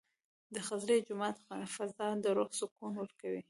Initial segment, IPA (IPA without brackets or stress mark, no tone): d̪